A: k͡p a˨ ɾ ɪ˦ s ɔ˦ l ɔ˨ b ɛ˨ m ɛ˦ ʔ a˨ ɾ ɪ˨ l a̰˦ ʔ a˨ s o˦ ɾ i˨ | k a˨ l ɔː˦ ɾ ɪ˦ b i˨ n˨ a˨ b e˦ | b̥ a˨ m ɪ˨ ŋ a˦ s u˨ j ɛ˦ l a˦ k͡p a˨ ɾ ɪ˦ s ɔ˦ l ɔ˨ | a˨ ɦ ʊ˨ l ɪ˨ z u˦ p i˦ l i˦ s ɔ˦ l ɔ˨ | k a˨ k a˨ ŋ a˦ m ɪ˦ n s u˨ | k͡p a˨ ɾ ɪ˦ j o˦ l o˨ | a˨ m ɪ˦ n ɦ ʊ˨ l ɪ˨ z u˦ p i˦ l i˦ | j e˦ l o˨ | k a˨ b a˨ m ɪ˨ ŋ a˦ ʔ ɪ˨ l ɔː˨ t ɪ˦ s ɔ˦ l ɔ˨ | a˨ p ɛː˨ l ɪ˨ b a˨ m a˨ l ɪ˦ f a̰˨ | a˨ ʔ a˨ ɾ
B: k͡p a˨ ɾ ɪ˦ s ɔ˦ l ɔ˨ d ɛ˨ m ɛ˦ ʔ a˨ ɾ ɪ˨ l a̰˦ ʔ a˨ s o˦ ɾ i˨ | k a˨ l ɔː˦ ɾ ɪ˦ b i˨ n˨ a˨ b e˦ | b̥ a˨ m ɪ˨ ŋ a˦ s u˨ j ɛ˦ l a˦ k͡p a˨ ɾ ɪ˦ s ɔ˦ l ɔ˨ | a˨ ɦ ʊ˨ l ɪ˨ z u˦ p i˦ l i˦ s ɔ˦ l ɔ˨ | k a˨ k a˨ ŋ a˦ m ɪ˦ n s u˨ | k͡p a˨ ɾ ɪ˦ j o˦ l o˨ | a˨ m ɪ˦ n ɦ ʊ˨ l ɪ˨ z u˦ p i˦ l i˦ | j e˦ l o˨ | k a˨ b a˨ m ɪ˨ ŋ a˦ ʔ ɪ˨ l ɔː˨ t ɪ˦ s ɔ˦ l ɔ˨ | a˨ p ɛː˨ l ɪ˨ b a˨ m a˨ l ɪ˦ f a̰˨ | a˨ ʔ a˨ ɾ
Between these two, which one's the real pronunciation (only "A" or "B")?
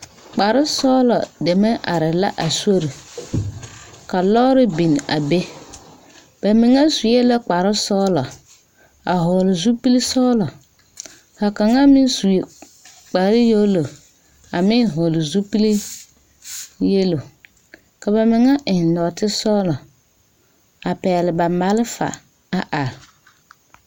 B